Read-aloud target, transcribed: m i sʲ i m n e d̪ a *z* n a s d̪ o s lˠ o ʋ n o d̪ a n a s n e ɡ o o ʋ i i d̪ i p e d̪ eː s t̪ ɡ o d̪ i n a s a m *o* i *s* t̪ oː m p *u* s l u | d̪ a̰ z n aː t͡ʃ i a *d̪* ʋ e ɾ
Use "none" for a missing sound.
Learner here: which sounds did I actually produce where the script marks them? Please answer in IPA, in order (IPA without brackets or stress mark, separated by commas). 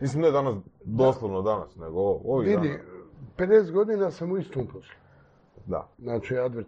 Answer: none, u, s, o, d̪